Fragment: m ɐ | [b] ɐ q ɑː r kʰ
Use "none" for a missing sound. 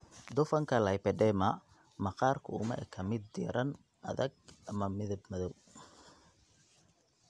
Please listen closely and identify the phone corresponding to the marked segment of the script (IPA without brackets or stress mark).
m